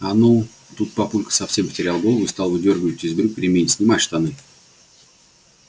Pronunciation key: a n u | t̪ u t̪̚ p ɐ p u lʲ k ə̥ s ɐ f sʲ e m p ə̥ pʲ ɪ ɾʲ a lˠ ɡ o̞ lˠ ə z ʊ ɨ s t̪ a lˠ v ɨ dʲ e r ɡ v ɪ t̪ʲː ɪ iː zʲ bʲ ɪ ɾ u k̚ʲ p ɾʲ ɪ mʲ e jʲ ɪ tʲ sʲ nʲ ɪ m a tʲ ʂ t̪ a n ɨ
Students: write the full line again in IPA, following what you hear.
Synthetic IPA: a n u | t̪ u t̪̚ p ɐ p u lʲ k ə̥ s ɐ f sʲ e m p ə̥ tʲ ɪ ɾʲ a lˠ ɡ o̞ lˠ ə v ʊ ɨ s t̪ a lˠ v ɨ dʲ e r ɡ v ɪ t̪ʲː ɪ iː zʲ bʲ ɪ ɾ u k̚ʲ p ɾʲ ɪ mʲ e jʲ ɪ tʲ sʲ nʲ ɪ m a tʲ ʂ t̪ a n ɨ